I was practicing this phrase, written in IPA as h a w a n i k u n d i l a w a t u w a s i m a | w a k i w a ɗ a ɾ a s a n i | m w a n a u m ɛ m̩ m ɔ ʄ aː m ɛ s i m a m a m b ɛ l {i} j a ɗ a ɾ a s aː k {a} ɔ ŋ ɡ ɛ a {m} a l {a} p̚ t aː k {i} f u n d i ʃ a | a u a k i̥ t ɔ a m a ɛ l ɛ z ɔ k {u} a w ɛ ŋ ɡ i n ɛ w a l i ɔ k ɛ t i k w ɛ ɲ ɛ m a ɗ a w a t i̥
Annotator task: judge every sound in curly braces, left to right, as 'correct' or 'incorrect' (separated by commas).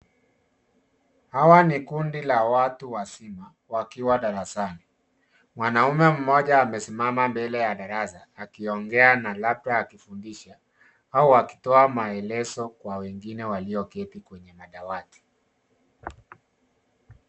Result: incorrect, incorrect, incorrect, correct, correct, incorrect